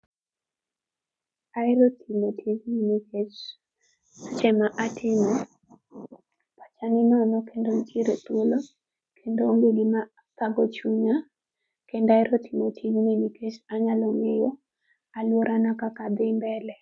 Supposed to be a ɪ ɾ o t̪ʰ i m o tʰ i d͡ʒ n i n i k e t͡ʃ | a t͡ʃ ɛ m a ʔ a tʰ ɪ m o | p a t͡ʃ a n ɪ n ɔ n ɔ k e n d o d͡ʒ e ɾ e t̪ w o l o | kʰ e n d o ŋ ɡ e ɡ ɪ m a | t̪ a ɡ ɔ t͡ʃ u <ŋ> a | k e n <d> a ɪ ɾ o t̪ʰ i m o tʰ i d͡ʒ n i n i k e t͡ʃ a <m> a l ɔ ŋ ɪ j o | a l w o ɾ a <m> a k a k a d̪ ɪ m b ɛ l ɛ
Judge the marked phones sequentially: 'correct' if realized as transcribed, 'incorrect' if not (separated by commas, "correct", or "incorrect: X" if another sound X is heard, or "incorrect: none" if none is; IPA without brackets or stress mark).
incorrect: ɲ, correct, incorrect: ɲ, incorrect: n